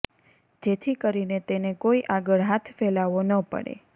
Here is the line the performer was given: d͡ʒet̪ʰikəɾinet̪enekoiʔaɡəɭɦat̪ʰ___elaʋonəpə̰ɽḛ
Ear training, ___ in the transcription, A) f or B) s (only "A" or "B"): A